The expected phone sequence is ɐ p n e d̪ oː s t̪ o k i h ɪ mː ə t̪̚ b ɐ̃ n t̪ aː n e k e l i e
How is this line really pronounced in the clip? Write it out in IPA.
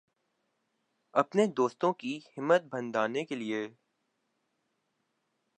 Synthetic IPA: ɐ p n e d̪ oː s t̪ õ k i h ɪ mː ə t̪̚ b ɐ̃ n d̪ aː n e k e l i e